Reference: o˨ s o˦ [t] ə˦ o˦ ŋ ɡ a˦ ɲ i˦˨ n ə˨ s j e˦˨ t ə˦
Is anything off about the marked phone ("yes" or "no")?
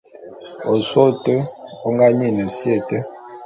no